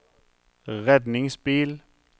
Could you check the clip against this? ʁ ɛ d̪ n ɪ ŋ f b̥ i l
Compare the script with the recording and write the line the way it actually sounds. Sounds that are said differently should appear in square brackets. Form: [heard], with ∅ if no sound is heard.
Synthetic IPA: ʁ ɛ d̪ n ɪ ŋ [s] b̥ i l